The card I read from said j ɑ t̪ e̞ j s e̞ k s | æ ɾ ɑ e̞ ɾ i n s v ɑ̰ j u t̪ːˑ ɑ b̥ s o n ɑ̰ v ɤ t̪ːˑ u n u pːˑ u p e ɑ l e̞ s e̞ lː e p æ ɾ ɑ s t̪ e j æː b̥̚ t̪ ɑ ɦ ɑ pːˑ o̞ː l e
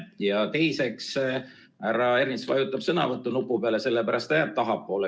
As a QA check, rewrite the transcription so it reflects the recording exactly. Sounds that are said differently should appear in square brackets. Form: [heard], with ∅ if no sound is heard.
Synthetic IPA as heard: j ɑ t̪ e̞ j s e̞ k s | æ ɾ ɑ e̞ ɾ i n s v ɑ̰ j u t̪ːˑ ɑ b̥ s [ɤ] n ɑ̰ v ɤ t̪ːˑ u n u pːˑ u p e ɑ l e̞ s e̞ lː e p æ ɾ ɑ s t̪ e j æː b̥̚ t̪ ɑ ɦ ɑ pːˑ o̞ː l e